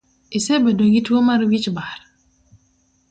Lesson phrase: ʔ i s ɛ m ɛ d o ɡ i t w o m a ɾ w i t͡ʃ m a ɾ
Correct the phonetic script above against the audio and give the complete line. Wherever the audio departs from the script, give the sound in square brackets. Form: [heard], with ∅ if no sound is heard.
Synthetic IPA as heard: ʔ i s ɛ [b] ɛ d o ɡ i t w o m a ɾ w i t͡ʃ [b] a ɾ